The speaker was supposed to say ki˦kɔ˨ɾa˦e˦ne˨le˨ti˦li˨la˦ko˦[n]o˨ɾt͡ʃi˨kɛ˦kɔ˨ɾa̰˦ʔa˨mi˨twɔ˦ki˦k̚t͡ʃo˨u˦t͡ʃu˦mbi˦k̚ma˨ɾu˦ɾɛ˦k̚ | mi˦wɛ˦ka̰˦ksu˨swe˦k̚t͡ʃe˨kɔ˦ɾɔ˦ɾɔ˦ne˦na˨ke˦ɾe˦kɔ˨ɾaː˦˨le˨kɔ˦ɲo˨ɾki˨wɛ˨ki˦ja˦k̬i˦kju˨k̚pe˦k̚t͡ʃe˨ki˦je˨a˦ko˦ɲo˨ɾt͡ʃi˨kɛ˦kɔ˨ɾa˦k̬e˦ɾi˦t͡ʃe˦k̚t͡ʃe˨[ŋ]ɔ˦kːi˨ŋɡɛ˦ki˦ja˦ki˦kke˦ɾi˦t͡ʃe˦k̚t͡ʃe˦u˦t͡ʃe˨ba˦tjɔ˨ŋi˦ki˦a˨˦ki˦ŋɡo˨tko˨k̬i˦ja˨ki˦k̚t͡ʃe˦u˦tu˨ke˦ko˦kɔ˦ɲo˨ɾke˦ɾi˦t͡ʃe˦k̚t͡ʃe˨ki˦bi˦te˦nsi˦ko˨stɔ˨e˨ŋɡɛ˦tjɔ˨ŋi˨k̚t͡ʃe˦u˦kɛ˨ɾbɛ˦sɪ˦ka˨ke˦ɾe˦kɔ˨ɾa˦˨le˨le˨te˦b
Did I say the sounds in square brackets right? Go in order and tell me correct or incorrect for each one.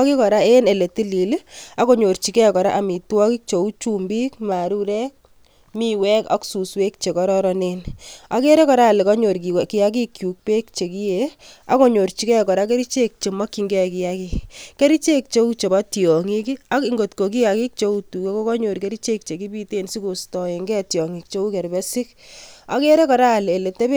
incorrect: ɲ, incorrect: m

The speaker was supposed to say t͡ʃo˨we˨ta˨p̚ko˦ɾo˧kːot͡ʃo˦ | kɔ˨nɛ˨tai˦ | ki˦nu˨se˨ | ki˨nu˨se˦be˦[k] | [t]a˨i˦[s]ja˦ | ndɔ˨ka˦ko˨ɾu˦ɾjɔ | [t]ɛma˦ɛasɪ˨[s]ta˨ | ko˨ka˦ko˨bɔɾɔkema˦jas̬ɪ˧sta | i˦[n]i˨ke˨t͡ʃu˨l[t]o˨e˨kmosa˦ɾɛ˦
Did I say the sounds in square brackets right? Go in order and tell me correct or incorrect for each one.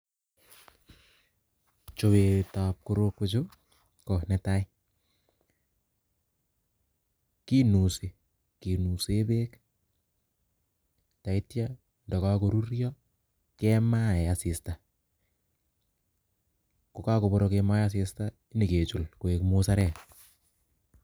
correct, correct, incorrect: t, incorrect: k, correct, correct, incorrect: k

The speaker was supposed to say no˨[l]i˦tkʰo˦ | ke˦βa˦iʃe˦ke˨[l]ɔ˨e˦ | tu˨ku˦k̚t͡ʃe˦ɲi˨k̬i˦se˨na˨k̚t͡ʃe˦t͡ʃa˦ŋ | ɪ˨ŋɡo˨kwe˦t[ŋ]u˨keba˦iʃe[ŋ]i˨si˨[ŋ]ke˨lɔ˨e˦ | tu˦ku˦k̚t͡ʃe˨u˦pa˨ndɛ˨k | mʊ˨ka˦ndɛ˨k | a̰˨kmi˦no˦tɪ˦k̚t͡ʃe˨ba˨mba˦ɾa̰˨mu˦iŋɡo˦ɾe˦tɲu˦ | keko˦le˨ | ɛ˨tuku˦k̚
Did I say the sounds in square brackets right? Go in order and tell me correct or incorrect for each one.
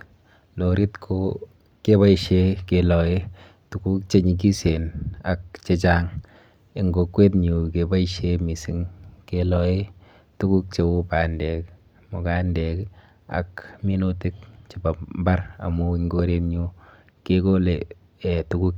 incorrect: ɾ, correct, incorrect: ɲ, incorrect: m, correct

